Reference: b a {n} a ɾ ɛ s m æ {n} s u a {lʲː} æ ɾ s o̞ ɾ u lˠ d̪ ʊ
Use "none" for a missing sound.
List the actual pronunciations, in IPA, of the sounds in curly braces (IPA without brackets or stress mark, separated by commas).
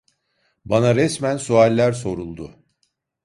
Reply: n, n, lʲː